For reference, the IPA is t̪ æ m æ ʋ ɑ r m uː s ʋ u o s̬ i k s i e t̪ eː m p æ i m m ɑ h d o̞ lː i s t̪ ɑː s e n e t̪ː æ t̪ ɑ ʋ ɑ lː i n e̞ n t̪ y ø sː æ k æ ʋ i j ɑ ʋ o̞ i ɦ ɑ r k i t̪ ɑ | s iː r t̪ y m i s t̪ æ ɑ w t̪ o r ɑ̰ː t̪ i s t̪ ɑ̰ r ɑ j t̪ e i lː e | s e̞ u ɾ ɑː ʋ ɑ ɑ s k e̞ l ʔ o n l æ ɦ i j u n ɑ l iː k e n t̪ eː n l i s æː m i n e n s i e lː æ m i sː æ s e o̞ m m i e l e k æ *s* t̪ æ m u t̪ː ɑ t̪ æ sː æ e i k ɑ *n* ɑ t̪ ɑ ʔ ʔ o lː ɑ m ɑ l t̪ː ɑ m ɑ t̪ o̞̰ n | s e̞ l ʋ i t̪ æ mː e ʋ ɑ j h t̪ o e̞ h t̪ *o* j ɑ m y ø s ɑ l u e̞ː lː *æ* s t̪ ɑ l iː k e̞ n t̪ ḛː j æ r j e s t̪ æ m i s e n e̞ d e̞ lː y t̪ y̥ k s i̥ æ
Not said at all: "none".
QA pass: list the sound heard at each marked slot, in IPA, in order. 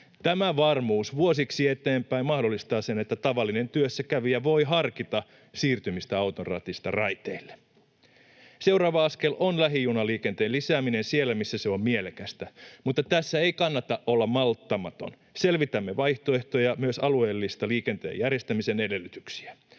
s, nː, o, i

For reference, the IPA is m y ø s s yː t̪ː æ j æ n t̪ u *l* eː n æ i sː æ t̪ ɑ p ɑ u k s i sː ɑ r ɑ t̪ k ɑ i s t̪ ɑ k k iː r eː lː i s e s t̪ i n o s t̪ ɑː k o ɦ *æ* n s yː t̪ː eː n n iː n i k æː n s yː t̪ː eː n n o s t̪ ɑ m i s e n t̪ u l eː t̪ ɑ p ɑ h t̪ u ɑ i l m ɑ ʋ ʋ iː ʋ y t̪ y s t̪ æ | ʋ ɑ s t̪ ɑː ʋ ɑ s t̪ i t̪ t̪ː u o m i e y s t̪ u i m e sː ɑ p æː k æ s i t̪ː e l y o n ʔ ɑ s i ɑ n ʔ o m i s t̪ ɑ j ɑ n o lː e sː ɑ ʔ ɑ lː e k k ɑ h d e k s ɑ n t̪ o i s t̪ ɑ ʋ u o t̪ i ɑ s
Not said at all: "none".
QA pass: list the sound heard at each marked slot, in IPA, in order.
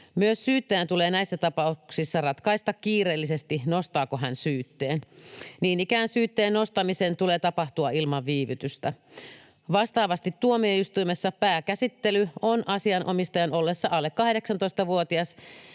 l, æ

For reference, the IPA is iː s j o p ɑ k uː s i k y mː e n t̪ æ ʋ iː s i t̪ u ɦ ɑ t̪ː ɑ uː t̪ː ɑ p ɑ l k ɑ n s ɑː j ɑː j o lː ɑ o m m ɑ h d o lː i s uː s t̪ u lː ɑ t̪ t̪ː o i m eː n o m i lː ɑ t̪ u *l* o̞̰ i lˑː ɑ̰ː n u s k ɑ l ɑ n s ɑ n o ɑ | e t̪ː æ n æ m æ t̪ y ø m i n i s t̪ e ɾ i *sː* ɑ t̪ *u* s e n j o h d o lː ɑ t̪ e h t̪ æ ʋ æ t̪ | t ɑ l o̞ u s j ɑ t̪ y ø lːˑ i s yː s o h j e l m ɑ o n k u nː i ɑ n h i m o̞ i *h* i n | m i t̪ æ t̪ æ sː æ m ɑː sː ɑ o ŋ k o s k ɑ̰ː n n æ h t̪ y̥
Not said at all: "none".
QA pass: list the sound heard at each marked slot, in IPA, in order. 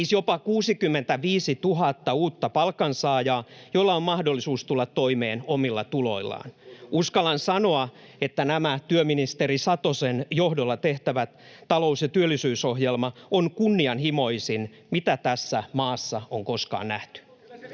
l, s, o, s

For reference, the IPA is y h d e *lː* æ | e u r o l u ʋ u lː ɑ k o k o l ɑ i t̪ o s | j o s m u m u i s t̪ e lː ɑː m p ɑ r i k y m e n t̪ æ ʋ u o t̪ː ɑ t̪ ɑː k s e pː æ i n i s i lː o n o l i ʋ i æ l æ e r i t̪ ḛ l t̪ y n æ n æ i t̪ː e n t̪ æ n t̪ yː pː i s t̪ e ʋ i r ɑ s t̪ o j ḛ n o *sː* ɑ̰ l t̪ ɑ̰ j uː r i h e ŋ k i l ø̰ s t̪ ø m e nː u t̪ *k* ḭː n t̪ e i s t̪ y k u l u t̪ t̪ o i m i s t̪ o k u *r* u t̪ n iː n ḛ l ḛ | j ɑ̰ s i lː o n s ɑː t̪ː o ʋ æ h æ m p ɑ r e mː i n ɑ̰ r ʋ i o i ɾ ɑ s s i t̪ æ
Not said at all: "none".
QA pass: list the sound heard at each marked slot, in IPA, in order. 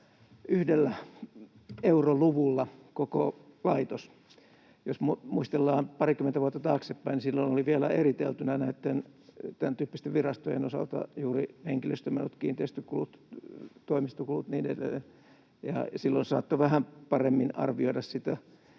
lː, s, k, l

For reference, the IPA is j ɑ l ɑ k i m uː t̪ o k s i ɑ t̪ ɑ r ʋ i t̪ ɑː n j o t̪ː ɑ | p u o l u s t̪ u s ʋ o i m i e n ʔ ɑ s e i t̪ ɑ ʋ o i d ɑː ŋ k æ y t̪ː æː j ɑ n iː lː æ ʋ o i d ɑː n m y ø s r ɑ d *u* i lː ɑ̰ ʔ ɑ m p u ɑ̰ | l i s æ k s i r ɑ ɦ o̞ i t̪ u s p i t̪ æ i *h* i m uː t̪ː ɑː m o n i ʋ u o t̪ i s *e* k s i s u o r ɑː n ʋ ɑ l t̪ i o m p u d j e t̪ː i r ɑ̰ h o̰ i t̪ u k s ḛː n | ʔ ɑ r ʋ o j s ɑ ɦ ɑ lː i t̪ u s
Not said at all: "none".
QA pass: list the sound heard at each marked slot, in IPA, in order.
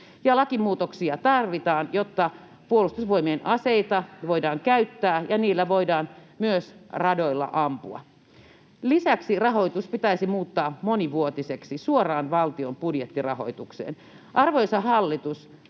o, s, e

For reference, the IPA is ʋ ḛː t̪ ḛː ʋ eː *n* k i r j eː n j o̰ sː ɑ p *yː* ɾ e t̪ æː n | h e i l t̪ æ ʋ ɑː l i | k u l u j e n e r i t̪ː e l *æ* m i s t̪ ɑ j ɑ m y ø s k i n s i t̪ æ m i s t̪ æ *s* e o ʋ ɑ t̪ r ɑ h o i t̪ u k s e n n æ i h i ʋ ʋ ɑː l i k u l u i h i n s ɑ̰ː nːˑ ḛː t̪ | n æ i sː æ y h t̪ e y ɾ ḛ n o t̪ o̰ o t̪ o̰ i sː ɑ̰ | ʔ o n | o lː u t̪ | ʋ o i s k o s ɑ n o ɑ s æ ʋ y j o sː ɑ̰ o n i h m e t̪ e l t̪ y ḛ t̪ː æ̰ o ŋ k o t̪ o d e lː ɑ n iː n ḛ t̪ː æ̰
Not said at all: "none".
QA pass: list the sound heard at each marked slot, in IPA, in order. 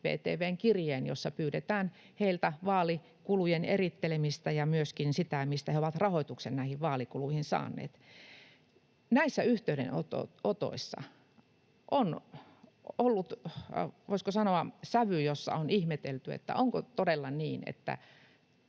ŋ, yː, e, h

